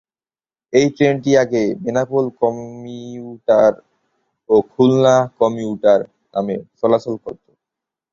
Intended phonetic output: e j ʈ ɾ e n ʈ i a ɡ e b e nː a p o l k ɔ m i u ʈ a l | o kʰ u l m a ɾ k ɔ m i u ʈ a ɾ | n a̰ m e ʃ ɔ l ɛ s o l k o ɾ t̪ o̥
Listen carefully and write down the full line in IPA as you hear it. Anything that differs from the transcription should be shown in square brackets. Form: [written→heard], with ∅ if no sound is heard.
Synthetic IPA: e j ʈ ɾ e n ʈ i a ɡ e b e [nː→n] a p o l k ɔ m i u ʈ a [l→ɾ] | o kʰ u l [m→n] a [ɾ→∅] k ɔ m i u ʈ a ɾ | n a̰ m e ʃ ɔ l [ɛ→a] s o l k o ɾ t̪ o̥